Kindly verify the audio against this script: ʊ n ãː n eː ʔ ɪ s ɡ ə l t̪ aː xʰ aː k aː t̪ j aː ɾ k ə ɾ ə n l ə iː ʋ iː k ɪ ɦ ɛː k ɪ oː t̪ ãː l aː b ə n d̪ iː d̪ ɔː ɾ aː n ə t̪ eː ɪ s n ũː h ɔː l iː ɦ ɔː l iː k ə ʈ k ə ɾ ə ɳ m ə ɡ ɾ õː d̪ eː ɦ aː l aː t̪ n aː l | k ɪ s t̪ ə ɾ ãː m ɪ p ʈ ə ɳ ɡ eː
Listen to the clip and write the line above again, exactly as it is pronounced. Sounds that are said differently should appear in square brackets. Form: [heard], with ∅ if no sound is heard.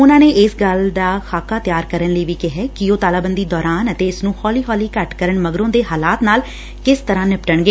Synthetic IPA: ʊ n ãː n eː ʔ ɪ s ɡ ə l [d̪] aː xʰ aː k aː t̪ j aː ɾ k ə ɾ ə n l ə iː ʋ iː k ɪ ɦ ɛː k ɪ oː t̪ [aː] l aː b ə n d̪ iː d̪ ɔː ɾ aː n ə t̪ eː ɪ s n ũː h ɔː l iː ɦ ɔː l iː k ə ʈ k ə ɾ ə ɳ m ə ɡ ɾ õː d̪ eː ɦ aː l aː t̪ n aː l | k ɪ s t̪ ə ɾ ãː [n] ɪ p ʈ ə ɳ ɡ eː

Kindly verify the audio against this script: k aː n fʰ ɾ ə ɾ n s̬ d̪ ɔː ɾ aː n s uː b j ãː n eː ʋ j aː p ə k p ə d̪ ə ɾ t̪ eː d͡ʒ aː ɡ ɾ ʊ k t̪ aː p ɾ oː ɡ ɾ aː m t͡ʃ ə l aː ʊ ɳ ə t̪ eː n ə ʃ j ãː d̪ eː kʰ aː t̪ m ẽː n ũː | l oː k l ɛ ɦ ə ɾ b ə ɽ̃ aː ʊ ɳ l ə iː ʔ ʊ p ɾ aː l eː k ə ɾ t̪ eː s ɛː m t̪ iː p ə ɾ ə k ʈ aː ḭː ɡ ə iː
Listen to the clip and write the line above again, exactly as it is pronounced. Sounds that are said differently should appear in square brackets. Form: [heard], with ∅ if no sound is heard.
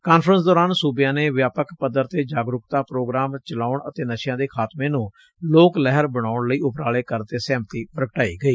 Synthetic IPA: k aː n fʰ ɾ ə [∅] n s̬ d̪ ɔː ɾ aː n s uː b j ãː n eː ʋ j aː p ə k p ə d̪ ə ɾ t̪ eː d͡ʒ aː ɡ ɾ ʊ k t̪ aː p ɾ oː ɡ ɾ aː m t͡ʃ ə l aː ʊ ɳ ə t̪ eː n ə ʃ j ãː d̪ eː kʰ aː t̪ m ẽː n ũː | l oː k l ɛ ɦ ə ɾ b ə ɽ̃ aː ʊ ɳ l ə iː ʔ ʊ p ɾ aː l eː k ə ɾ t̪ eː s ɛː m t̪ iː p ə ɾ ə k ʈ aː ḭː ɡ ə iː

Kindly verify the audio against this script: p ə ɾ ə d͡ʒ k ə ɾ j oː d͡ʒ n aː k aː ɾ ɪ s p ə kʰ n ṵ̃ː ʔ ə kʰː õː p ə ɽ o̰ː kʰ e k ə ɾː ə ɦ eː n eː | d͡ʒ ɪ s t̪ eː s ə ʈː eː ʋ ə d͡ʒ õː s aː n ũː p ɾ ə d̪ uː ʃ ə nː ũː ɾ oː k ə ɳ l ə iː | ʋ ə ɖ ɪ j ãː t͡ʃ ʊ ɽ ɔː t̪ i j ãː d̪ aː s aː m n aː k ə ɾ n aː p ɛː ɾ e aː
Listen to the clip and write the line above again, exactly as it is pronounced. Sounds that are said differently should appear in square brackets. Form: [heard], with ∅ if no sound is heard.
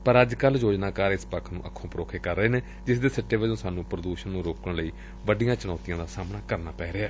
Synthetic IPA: p ə ɾ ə d͡ʒ k ə [l] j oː d͡ʒ n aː k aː ɾ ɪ s p ə kʰ n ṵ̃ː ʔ ə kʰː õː p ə [ɾ] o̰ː kʰ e k ə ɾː ə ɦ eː n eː | d͡ʒ ɪ s [d̪] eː s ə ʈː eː ʋ ə d͡ʒ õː s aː n ũː p ɾ ə d̪ uː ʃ ə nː ũː ɾ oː k ə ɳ l ə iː | ʋ ə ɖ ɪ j ãː t͡ʃ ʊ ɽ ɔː t̪ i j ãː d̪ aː s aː m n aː k ə ɾ n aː p ɛː ɾ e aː

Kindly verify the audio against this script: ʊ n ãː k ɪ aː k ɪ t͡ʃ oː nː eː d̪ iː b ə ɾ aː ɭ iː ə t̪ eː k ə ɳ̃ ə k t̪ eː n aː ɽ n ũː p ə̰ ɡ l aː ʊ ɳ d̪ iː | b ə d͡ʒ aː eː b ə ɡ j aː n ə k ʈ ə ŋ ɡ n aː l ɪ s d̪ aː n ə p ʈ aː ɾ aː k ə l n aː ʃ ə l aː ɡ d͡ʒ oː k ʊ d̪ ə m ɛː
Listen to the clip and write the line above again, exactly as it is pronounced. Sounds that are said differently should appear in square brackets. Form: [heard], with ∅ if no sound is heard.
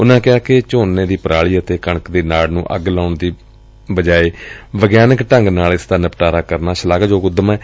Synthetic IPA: ʊ n ãː k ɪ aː k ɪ t͡ʃ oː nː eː d̪ iː [p] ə ɾ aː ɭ iː ə t̪ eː k ə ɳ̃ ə k [d̪] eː n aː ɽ n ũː [ʔ] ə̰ ɡ l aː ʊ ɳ d̪ iː | b ə d͡ʒ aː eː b ə ɡ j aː n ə k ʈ ə ŋ ɡ n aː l ɪ s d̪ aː n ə p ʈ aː ɾ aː k ə [ɾ] n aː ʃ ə l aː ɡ d͡ʒ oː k ʊ d̪ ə m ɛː

